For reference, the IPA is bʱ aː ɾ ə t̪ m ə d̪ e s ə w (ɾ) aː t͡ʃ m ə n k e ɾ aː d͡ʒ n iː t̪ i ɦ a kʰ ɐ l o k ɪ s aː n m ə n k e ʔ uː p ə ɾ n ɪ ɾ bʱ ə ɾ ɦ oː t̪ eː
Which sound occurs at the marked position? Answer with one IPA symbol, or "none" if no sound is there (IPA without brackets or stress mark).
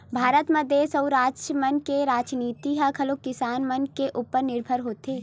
ɾ